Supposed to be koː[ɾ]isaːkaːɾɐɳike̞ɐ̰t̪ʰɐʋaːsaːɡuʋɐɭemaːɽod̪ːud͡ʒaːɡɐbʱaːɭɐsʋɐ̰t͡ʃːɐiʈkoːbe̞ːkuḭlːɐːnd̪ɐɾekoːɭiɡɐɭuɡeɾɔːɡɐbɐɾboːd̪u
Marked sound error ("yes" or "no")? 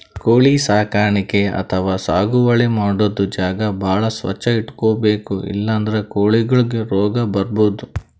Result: yes